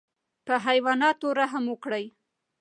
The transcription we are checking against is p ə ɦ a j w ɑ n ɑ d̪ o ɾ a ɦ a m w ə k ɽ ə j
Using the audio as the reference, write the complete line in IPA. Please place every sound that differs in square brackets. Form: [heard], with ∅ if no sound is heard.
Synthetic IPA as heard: p ə ɦ a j w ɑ n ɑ [t̪] o ɾ a ɦ a m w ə k ɽ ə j